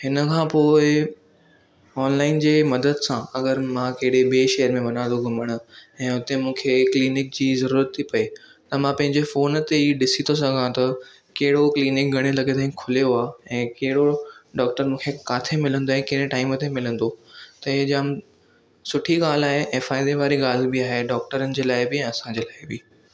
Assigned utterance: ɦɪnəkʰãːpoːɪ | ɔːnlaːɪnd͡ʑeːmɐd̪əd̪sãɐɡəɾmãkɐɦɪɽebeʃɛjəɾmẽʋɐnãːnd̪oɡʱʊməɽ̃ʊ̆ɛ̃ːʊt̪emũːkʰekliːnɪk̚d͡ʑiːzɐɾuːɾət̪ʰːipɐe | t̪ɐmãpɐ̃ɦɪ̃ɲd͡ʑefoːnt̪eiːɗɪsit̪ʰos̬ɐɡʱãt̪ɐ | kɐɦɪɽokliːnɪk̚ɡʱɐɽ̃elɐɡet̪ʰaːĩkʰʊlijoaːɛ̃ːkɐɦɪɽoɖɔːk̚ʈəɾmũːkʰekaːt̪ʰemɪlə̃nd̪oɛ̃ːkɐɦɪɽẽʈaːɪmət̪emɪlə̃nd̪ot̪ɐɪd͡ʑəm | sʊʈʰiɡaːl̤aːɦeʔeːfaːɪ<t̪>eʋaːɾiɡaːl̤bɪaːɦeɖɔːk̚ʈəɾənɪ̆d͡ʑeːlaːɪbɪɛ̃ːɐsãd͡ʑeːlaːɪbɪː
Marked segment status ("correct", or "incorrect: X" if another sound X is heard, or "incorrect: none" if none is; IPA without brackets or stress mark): incorrect: d̪